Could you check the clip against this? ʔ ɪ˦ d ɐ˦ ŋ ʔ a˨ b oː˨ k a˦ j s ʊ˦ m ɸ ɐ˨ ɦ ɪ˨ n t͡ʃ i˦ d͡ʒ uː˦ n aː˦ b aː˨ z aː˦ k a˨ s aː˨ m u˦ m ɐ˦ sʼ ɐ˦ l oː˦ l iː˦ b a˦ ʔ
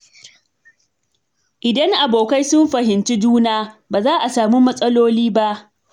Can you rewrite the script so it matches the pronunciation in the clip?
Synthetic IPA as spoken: ʔ ɪ˨ d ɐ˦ ŋ ʔ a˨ b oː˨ k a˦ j s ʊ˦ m ɸ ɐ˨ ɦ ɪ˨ n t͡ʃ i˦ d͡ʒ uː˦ n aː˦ b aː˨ z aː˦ ʔ a˨ s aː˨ m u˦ m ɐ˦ sʼ ɐ˦ l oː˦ l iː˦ b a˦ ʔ